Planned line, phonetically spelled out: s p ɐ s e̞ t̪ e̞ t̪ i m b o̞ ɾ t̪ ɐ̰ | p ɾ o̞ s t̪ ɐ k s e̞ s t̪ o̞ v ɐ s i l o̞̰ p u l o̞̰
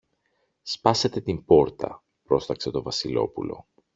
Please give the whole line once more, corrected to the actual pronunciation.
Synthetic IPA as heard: s p ɐ s e̞ t̪ e̞ t̪ i m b o̞ ɾ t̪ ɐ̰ | p ɾ o̞ s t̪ ɐ k s e̞ t̪ o̞ v ɐ s i l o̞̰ p u l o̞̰